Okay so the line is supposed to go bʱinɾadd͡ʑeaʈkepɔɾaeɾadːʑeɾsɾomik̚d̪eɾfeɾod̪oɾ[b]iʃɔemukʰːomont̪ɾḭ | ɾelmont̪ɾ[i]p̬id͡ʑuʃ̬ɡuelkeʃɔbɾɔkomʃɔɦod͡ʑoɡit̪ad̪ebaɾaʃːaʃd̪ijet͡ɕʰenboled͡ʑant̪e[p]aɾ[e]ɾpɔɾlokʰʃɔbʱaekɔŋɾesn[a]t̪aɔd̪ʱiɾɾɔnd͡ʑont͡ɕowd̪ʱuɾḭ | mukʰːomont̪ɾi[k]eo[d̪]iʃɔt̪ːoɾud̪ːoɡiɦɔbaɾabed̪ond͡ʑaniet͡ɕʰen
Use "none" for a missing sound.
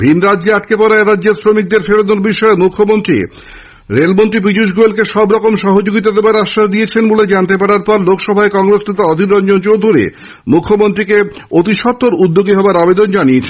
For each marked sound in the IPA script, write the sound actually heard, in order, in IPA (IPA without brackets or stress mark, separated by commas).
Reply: b, i, p, a, e, k, t̪